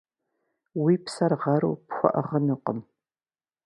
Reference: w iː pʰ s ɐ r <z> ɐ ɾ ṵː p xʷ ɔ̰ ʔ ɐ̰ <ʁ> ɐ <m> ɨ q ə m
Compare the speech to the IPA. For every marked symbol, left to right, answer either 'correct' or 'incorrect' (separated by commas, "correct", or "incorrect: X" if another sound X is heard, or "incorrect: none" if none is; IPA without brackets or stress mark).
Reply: incorrect: ʁ, correct, incorrect: n